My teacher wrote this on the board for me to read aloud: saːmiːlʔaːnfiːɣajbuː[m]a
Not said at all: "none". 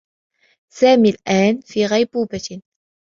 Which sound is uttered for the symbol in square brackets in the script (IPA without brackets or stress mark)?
b